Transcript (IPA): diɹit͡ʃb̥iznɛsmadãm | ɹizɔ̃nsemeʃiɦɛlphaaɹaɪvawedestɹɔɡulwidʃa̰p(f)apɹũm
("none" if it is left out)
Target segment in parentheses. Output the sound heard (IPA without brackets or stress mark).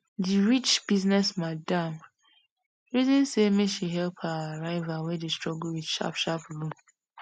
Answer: ʃ